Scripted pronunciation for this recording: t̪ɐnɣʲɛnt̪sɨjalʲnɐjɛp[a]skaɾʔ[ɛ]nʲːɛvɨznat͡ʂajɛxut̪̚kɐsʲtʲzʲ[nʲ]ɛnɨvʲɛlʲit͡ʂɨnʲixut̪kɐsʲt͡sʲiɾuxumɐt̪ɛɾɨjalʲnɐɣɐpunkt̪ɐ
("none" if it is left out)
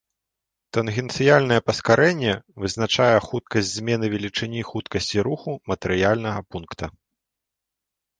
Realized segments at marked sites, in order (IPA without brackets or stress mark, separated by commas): ɐ, ɛ, mʲ